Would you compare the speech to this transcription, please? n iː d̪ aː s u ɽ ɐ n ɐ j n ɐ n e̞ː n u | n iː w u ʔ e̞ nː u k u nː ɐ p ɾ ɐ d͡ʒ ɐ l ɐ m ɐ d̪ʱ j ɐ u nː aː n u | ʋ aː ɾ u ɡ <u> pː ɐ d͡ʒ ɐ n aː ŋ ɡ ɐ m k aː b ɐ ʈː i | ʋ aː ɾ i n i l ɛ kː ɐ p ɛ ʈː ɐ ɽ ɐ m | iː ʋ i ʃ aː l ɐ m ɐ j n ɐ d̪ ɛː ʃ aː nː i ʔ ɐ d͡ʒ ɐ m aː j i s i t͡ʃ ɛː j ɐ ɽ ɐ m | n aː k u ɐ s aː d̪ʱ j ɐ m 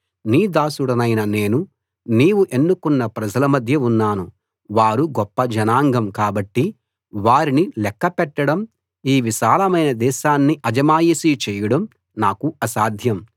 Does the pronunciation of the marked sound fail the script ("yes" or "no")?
yes